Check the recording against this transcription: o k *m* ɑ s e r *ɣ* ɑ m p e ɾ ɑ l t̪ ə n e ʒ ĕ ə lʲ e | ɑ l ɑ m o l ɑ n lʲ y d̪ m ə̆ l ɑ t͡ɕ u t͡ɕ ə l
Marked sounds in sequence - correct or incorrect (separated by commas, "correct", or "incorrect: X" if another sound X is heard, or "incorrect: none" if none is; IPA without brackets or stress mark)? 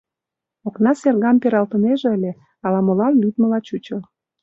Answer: incorrect: n, correct